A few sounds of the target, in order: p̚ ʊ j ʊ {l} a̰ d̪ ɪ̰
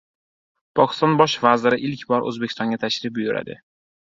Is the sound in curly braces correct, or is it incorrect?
incorrect